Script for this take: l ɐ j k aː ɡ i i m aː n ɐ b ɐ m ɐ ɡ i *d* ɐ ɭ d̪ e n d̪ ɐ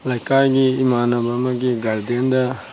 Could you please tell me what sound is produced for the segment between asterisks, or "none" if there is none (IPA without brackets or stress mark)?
ɡ